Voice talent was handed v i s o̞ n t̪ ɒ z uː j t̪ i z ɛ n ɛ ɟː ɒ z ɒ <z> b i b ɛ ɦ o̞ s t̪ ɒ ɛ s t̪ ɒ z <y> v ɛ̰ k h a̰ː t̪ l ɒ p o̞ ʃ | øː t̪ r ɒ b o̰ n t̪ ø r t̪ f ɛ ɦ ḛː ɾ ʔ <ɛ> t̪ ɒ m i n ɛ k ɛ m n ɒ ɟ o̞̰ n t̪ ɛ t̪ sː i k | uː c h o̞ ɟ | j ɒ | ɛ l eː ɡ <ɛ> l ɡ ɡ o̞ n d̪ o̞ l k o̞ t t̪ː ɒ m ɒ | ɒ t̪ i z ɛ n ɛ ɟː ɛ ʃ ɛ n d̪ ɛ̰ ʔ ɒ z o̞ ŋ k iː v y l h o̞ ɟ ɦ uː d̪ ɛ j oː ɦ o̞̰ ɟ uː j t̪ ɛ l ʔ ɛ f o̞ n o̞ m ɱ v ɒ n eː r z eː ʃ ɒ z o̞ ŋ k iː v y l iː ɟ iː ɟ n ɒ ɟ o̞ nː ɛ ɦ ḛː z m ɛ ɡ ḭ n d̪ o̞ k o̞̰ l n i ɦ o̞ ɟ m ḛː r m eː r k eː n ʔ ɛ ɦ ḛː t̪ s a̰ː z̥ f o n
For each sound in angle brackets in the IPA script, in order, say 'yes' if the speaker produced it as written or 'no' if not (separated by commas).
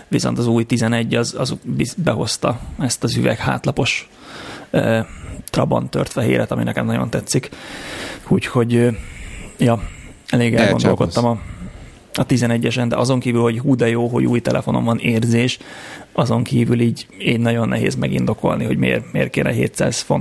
yes, yes, yes, yes